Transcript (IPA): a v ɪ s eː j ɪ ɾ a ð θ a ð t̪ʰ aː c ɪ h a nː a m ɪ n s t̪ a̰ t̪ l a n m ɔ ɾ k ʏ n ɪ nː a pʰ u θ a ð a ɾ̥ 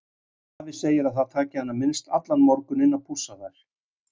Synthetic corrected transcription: a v ɪ s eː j ɪ ɾ a ð θ a ð t̪ʰ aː c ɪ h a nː a m ɪ n s t̪ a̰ t̪ l a n m ɔ ɾ k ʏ n ɪ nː a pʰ u s a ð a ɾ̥